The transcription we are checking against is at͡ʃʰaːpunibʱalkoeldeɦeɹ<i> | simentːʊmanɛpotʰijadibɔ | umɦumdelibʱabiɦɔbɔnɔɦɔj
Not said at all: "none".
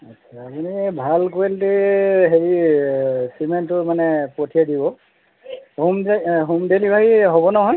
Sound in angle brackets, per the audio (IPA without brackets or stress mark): i